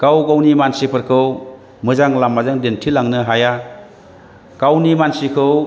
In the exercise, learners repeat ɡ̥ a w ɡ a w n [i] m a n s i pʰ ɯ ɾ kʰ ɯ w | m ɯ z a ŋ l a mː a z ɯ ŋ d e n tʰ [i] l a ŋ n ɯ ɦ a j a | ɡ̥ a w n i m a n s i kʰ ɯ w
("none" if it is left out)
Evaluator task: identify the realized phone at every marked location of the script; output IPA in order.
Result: i, i

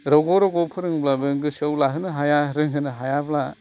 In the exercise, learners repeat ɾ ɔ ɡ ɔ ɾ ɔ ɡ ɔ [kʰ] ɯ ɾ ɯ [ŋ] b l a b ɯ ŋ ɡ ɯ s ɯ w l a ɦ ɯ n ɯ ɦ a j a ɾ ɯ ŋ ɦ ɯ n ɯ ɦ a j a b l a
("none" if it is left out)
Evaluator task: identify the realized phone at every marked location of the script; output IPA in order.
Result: pʰ, ŋ

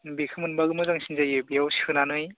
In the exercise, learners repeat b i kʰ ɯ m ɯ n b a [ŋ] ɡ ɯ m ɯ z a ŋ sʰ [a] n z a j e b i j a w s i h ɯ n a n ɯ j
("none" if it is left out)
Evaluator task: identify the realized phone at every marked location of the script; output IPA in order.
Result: none, i

